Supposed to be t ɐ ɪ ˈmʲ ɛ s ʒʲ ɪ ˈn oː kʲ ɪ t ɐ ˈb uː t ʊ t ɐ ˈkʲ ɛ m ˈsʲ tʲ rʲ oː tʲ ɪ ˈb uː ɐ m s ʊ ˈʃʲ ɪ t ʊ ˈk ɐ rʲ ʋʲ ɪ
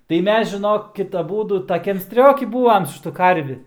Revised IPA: t ɐ ɪ ˈmʲ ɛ s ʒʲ ɪ ˈn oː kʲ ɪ t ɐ ˈb uː d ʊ t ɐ ˈkʲ ɛ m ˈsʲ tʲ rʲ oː kʲ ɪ ˈb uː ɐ m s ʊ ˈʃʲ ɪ t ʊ ˈk ɐ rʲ ʋʲ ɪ

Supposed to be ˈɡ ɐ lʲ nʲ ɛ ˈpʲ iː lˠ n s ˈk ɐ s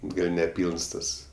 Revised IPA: ˈɡ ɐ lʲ nʲ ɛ ˈpʲ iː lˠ n s ˈt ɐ s

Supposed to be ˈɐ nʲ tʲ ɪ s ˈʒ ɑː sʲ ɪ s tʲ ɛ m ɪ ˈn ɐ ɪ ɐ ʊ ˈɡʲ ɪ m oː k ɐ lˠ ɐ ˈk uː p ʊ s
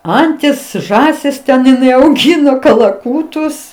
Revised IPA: ˈɐ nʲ tʲ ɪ s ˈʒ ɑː sʲ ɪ s tʲ ɛ n ɪ ˈn ɐ ɪ ɐ ʊ ˈɡʲ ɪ n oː k ɐ lˠ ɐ ˈk uː t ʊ s

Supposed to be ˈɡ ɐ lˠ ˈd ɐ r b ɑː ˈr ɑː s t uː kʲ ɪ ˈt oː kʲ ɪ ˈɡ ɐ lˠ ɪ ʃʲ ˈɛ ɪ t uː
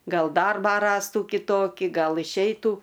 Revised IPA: ˈɡ ɐ lˠ ˈd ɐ r b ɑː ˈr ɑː s t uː kʲ ɪ ˈt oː kʲ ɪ ˈɡ ɐ lˠ ɪ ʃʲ ˈɛ ɪ t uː

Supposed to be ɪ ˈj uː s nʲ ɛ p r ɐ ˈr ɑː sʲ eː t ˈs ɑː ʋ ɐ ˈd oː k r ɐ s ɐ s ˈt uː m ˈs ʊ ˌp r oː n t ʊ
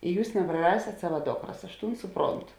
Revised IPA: ɪ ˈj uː s nʲ ɛ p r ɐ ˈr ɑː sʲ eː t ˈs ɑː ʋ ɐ ˈd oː k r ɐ s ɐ ʃ ˈt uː n ˈs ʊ ˌp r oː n t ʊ

